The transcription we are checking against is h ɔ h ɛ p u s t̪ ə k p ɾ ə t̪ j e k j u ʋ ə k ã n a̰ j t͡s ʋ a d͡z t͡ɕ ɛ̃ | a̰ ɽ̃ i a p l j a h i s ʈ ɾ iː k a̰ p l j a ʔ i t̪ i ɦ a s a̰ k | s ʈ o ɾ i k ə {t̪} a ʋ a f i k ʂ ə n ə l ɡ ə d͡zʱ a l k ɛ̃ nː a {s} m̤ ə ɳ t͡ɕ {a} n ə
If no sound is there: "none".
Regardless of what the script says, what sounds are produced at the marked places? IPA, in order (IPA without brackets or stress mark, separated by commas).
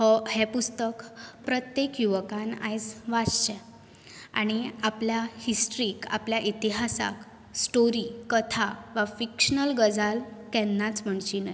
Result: t̪ʰ, t͡s, i